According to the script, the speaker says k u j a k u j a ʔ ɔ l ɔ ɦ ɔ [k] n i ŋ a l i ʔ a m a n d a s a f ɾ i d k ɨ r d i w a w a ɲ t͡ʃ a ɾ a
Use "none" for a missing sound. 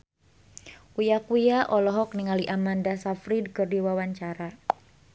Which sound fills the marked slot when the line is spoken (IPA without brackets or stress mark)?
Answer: k